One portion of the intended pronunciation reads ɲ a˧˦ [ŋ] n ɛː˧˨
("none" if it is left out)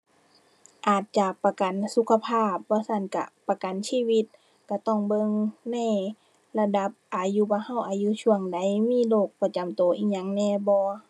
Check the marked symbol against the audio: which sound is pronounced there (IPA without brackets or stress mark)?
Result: ŋ